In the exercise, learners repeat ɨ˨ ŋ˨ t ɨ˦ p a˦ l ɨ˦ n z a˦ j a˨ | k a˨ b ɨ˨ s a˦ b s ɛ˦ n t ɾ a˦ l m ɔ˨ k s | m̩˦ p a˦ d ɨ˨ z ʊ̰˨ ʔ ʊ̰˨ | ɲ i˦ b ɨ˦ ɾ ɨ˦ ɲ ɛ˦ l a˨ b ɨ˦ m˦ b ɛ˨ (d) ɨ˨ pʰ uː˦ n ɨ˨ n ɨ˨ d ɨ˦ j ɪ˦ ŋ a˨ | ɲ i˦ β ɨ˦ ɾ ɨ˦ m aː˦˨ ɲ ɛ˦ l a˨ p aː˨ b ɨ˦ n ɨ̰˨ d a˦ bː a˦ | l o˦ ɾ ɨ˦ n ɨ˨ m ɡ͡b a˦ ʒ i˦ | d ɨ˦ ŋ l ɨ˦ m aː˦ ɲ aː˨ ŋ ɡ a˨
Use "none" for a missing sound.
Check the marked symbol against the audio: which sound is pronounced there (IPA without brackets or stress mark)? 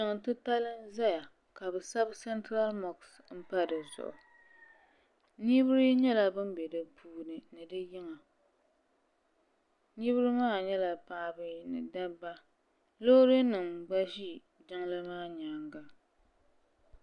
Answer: d